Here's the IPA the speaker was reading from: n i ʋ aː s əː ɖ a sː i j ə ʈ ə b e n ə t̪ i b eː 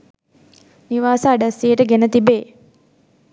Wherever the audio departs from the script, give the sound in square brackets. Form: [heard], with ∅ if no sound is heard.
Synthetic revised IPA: n i ʋ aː s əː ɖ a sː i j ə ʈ ə [ɡ] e n ə t̪ i b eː

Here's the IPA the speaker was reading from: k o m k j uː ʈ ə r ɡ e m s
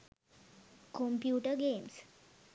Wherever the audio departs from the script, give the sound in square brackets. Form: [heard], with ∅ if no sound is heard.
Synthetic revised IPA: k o m [p] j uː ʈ ə [ɾ] ɡ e m s

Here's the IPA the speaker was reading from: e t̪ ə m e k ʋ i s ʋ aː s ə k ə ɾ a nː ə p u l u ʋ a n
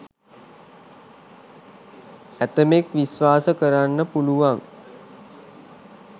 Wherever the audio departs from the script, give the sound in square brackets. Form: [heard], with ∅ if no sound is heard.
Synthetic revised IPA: [æ] t̪ ə m e k ʋ i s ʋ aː s ə k ə ɾ a nː ə p u l u ʋ a [ŋ]

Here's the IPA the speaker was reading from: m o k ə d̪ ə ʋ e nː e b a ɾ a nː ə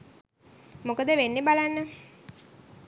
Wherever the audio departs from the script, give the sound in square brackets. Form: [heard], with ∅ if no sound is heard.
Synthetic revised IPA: m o k ə d̪ ə ʋ e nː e b a [l] a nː ə

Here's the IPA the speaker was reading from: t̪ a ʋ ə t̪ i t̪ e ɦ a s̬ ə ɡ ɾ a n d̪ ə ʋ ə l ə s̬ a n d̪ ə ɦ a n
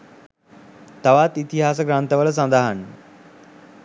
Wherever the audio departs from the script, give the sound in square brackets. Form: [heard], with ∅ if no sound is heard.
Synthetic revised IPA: t̪ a ʋ [a] t̪ i t̪ [i] ɦ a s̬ ə ɡ ɾ a n [t̪] ə ʋ ə l ə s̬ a n d̪ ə ɦ a n

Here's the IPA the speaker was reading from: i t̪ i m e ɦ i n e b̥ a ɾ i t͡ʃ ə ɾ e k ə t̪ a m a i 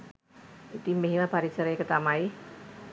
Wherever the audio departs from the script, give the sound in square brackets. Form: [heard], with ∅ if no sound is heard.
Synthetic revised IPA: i t̪ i m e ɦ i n [a] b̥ a ɾ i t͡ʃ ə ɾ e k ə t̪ a m a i

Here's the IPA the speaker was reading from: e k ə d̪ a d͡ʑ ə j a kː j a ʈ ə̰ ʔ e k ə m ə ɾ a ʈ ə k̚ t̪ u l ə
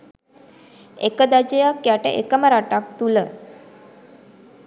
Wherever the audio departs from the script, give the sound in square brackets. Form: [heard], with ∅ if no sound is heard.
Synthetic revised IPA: e k ə d̪ a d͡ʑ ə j a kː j a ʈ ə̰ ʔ e k ə m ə ɾ a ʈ [a] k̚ t̪ u l ə

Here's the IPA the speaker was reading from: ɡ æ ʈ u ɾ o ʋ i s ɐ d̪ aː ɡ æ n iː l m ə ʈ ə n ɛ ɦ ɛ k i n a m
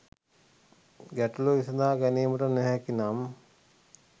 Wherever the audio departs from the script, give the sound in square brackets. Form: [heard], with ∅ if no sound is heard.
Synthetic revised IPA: ɡ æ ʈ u [l] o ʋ i s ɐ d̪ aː ɡ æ n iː [∅] m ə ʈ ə n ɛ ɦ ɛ k i n a m

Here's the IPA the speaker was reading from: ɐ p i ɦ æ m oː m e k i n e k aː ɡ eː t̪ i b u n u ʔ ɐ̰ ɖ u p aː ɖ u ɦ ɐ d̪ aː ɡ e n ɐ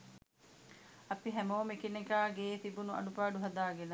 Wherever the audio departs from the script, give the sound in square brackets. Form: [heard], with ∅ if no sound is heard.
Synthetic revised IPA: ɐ p i ɦ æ m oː m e k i n e k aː ɡ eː t̪ i b u n u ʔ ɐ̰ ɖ u p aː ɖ u ɦ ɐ d̪ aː ɡ e n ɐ

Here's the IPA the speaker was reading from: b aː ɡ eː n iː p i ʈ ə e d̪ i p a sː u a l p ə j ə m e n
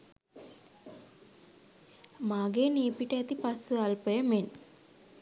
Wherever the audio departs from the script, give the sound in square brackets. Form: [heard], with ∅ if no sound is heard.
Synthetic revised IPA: [m] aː ɡ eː n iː p i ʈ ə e [t̪] i p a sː u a l p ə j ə m e n

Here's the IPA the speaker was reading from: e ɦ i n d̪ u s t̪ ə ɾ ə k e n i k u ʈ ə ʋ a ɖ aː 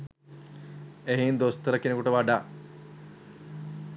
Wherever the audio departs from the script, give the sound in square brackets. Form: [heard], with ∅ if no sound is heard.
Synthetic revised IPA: e ɦ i n d̪ [o] s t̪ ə ɾ ə k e n [e] k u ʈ ə ʋ a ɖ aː

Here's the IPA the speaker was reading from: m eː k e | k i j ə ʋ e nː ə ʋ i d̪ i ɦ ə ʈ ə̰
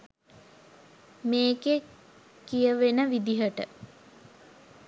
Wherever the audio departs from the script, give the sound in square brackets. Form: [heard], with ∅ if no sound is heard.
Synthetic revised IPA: m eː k e | k i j ə ʋ e [n] ə ʋ i d̪ i ɦ ə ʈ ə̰

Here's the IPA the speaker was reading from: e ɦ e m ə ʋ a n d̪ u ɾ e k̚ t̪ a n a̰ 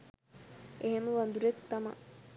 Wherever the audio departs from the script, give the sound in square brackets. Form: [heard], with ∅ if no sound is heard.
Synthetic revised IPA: e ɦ e m ə ʋ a n d̪ u ɾ e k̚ t̪ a [m] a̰

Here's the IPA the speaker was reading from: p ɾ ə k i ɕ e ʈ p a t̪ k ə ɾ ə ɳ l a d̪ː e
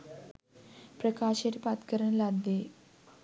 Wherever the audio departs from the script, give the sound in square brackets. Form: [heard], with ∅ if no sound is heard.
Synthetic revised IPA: p ɾ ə k [a] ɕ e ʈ p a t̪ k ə ɾ ə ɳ l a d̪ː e

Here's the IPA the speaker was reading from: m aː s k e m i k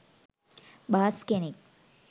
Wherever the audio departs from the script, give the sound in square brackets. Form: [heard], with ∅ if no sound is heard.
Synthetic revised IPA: [b] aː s k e [n] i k

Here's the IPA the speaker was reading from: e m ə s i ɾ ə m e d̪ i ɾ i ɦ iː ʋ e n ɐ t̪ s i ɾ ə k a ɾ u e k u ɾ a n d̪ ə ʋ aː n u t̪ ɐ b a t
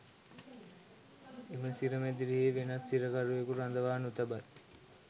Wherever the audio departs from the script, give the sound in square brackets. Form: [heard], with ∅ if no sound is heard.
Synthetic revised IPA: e m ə s i ɾ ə m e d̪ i ɾ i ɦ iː ʋ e n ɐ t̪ s i ɾ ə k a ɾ u e k u ɾ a n d̪ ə ʋ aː n u t̪ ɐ b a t

